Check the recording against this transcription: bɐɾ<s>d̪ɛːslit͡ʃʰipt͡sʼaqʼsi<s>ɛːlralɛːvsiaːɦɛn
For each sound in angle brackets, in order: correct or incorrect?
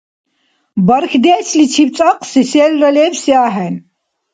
incorrect: x, correct

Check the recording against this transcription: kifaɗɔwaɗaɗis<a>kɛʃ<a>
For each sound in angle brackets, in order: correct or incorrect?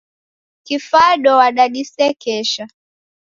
incorrect: ɛ, correct

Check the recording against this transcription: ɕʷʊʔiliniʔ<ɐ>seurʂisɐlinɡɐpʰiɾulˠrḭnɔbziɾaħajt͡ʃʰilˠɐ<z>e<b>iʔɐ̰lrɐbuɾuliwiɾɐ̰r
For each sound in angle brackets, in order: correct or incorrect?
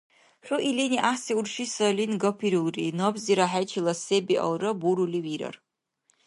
incorrect: a, incorrect: s, correct

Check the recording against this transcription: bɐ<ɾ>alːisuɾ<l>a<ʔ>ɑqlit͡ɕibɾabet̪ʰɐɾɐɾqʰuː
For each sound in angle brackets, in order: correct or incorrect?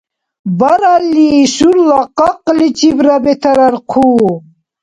correct, correct, incorrect: q

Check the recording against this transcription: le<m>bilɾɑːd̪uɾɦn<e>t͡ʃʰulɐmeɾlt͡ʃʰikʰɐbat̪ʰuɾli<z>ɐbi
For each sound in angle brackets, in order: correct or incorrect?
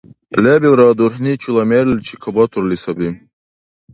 incorrect: none, incorrect: i, incorrect: s

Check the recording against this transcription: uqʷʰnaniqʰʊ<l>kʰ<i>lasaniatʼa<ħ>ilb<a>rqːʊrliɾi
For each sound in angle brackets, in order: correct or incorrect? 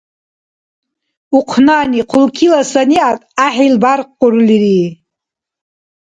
correct, correct, correct, correct

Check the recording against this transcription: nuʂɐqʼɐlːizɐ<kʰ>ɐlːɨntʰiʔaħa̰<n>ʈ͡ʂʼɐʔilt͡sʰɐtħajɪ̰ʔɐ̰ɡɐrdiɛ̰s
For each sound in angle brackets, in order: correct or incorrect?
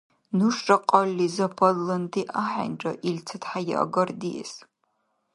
incorrect: pʰ, correct

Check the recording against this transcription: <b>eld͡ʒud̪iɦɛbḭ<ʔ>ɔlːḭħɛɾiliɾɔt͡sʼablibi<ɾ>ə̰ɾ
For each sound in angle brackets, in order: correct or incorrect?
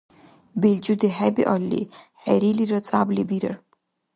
correct, correct, correct

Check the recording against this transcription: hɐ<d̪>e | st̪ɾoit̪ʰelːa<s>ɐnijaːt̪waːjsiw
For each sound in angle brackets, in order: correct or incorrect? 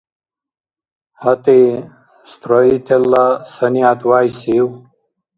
incorrect: t̪, correct

